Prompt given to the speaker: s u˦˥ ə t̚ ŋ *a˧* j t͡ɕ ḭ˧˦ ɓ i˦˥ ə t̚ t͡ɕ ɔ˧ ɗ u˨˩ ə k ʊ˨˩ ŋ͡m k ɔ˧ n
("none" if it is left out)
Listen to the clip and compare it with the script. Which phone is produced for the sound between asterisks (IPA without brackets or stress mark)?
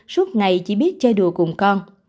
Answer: a˨˩